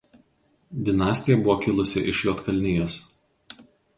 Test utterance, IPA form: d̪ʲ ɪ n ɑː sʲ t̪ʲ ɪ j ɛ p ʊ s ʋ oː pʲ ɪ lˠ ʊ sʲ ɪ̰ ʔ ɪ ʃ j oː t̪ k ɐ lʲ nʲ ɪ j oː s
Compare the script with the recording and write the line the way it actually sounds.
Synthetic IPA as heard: d̪ʲ ɪ n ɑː sʲ t̪ʲ ɪ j ɛ b ʊ ʋ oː kʲ ɪ lˠ ʊ sʲ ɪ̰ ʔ ɪ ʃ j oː t̪ k ɐ lʲ nʲ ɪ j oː s